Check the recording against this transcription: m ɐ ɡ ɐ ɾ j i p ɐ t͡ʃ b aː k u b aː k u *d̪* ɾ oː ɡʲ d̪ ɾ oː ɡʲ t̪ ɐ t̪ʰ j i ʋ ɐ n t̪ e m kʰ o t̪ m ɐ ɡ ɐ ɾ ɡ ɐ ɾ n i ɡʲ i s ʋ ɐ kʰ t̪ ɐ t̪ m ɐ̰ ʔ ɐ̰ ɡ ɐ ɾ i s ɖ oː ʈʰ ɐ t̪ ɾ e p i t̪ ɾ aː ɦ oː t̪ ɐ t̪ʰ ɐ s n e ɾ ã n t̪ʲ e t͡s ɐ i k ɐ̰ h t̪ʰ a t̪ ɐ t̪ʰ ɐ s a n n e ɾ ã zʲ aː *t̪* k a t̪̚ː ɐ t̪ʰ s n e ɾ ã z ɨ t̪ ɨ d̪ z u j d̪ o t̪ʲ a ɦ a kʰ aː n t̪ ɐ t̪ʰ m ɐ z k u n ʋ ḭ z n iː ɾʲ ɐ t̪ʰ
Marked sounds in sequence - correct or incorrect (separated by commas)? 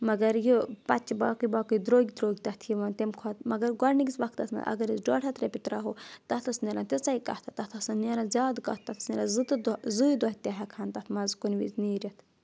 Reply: correct, incorrect